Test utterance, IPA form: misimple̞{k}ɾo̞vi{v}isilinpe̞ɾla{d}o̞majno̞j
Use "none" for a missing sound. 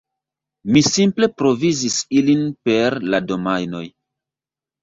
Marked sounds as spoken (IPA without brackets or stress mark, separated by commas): p, z, d